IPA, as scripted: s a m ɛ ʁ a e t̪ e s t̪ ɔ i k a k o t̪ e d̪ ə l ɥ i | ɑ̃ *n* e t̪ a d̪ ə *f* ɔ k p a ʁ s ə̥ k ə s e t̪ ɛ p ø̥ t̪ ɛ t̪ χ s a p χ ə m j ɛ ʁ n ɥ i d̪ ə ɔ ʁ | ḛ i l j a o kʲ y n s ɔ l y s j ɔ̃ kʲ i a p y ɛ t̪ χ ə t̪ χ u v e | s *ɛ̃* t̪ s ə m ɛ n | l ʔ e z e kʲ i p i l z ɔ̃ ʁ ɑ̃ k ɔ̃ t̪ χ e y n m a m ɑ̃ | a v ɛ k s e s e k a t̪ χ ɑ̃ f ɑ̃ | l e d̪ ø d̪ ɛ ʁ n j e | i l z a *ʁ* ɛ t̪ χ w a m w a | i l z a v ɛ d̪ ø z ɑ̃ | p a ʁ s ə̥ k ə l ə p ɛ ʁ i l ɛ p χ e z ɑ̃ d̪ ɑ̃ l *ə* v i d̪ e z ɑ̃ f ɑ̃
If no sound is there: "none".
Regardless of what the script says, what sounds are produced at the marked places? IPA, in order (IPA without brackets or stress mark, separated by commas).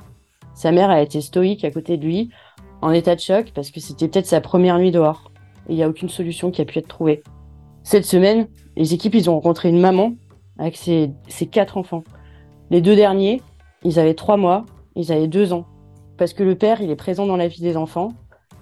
n, ʃ, ɛ, v, a